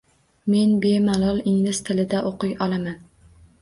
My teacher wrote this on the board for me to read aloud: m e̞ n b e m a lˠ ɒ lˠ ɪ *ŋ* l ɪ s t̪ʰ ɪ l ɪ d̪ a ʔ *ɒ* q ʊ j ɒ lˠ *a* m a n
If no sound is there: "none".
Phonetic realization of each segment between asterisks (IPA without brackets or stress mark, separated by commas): ŋ, o, a